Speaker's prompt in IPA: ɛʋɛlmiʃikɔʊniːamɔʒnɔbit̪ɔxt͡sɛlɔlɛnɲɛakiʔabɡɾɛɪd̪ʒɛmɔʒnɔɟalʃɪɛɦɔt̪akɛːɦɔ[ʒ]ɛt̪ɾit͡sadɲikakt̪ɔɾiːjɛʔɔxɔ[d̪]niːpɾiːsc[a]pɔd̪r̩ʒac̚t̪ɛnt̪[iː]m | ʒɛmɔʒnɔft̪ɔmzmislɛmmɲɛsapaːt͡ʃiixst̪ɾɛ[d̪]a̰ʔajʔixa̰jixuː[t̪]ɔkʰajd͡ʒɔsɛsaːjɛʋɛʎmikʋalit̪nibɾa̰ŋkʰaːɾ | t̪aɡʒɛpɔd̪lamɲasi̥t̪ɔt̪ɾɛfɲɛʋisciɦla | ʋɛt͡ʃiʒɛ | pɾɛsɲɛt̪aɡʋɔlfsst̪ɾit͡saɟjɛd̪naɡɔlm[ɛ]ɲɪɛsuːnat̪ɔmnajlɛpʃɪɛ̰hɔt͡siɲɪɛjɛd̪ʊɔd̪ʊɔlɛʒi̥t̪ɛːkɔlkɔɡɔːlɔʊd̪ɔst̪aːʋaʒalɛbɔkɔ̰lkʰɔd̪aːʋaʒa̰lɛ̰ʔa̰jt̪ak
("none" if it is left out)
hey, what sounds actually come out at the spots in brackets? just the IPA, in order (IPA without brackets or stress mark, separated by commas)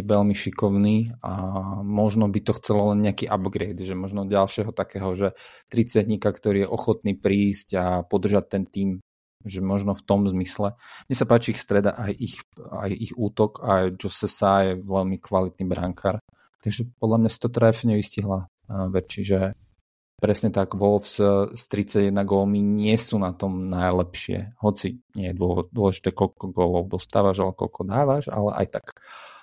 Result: ʒ, t̪, a, iː, d̪, t̪, i